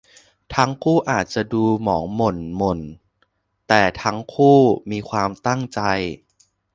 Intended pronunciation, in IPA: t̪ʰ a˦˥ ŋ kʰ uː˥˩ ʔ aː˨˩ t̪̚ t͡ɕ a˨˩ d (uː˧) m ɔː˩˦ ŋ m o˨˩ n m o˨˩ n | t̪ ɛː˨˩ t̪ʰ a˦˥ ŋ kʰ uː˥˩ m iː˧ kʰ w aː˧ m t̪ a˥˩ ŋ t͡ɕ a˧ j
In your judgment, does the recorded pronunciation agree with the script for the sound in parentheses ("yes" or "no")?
yes